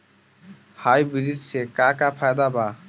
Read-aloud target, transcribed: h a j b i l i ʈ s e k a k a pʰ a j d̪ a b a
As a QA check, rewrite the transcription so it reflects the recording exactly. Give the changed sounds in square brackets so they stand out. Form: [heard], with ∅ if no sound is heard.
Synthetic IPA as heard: h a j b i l i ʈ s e k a k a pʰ a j d̪ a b a